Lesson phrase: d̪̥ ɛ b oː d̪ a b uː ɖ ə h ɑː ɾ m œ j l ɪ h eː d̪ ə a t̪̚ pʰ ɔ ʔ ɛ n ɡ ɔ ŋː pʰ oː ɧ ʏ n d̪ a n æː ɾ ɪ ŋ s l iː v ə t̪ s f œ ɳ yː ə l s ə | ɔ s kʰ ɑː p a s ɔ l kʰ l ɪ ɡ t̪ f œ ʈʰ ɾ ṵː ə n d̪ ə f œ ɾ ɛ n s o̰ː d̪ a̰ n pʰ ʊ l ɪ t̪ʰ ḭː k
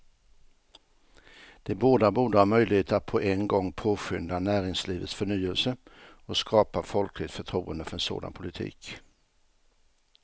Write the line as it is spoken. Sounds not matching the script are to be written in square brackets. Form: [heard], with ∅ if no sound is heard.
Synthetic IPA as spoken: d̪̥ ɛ b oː d̪ a b uː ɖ ə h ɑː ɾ m œ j l ɪ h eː [t̪] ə a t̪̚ pʰ ɔ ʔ ɛ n ɡ ɔ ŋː pʰ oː ɧ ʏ n d̪ a n æː ɾ ɪ ŋ s l iː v ə t̪ s f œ ɳ yː ə l s ə | ɔ s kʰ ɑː p a [f] ɔ l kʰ l ɪ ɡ t̪ f œ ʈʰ ɾ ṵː ə n d̪ ə f œ ɾ ɛ n s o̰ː d̪ a̰ n pʰ ʊ l ɪ t̪ʰ ḭː k